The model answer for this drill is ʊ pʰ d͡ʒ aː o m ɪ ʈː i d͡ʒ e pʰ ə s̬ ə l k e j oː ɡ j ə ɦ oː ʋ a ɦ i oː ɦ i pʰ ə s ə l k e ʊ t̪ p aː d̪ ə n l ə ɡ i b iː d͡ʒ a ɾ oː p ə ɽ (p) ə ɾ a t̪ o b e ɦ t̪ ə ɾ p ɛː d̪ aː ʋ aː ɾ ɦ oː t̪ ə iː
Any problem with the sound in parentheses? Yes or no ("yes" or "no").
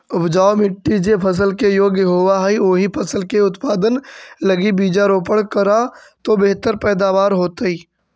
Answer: yes